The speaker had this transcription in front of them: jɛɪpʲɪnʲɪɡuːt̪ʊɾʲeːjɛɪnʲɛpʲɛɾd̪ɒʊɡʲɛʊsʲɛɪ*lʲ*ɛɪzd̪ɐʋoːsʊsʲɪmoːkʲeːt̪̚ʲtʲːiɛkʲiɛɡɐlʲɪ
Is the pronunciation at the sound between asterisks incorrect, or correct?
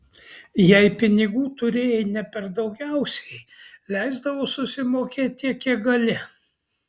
correct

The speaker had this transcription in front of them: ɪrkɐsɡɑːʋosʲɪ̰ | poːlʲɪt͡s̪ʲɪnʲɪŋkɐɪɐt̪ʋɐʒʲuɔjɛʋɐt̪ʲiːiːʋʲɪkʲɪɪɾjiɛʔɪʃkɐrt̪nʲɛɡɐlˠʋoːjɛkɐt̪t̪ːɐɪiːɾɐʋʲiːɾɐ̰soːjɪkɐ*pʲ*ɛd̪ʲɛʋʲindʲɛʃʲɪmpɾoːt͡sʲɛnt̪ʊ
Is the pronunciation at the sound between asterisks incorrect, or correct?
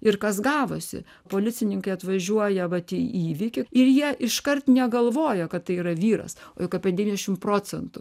correct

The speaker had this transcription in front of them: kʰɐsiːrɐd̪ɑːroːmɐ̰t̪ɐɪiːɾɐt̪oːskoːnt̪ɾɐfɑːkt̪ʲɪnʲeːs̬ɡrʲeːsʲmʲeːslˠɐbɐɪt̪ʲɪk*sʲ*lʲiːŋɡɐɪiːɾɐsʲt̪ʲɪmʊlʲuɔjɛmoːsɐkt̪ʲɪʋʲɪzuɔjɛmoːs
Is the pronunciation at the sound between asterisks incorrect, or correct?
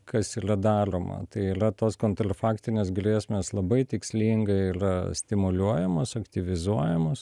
correct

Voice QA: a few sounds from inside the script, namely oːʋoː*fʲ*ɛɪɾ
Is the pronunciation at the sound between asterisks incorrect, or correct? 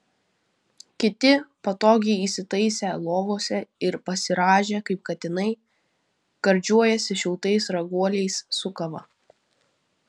incorrect: sʲ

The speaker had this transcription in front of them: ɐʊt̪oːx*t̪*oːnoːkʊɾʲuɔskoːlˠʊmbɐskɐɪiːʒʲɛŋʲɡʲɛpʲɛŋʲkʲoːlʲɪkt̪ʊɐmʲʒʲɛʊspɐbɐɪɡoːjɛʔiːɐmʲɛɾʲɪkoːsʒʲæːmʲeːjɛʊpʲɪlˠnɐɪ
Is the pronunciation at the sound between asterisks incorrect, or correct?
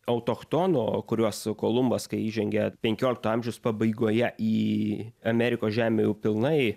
correct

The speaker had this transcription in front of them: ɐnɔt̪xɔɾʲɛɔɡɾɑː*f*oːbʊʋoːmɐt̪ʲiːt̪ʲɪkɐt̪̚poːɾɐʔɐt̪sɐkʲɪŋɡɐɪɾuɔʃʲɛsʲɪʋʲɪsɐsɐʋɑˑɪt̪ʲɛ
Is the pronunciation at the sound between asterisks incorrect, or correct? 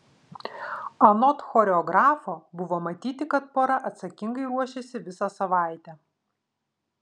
correct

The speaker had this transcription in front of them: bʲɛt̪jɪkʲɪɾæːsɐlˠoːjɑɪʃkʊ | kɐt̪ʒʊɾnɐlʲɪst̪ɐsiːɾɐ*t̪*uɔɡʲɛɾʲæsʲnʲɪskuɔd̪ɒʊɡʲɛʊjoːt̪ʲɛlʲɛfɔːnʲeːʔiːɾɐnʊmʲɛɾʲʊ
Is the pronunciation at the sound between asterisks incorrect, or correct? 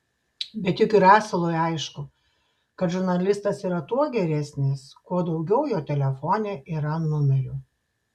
correct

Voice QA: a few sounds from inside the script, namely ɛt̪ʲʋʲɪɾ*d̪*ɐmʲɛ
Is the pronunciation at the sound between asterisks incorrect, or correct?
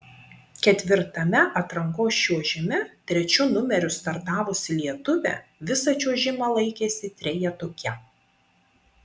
incorrect: t̪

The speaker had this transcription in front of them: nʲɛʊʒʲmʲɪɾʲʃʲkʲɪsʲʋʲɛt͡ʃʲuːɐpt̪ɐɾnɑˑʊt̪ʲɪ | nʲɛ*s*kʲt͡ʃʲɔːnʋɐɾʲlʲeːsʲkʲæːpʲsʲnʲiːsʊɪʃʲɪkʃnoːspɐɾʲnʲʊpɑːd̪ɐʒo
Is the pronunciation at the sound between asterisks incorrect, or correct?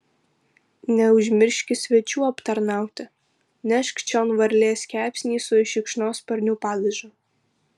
incorrect: ʃ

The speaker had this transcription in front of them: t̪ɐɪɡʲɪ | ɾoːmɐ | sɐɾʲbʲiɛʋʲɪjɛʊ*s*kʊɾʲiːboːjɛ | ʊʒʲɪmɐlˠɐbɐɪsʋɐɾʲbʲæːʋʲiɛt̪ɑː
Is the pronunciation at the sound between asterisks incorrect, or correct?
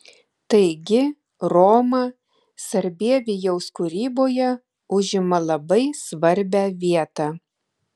correct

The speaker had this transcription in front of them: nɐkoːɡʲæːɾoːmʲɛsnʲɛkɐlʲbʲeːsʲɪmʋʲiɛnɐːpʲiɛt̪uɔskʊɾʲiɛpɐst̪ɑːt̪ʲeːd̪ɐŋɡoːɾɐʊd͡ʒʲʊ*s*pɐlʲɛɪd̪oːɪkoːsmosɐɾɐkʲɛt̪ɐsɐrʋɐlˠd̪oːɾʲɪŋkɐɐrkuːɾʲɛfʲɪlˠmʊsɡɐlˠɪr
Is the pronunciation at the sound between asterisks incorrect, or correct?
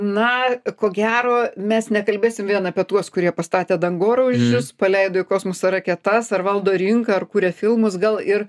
correct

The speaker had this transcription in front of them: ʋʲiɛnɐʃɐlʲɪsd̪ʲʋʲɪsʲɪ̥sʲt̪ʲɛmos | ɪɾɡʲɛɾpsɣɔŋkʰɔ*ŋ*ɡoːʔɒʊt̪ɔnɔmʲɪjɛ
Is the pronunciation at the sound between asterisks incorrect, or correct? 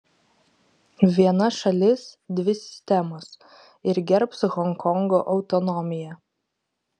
correct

